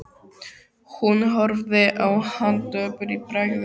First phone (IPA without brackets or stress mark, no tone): h